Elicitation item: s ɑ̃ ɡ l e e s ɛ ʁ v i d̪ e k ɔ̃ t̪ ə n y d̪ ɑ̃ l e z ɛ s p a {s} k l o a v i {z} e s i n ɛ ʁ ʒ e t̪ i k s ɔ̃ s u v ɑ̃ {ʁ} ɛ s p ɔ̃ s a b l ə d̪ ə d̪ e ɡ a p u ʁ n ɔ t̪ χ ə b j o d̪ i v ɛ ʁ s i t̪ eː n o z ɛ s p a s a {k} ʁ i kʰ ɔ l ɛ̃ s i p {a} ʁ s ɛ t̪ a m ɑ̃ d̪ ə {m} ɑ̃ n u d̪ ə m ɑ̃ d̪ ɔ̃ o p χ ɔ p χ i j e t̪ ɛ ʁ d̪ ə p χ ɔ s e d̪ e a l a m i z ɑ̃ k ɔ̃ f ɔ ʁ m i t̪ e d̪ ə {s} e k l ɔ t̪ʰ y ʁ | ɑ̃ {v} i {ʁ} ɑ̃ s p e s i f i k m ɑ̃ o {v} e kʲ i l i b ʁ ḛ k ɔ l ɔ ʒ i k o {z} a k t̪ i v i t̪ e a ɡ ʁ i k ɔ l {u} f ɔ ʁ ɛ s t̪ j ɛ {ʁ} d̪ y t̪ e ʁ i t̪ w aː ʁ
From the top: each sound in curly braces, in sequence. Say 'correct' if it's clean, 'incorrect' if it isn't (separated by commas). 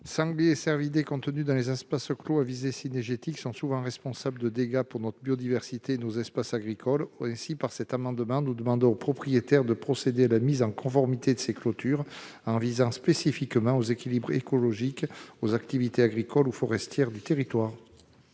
correct, correct, correct, incorrect, correct, correct, correct, correct, incorrect, incorrect, correct, correct, correct